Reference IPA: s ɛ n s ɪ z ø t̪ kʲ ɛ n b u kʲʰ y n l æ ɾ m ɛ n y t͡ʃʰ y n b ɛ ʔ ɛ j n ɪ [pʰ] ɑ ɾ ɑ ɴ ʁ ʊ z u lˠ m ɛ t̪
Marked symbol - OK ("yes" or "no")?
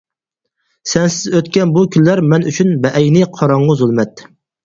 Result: no